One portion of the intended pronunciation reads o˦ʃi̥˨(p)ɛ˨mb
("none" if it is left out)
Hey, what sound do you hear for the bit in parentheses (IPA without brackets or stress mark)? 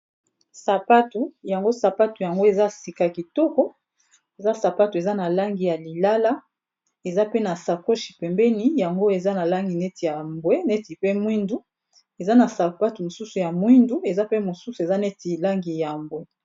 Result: p